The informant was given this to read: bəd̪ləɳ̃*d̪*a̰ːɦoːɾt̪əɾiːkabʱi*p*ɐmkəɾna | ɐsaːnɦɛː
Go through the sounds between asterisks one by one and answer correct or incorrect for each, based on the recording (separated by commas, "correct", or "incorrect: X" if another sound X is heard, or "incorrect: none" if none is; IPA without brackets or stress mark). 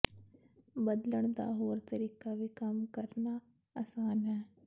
correct, incorrect: k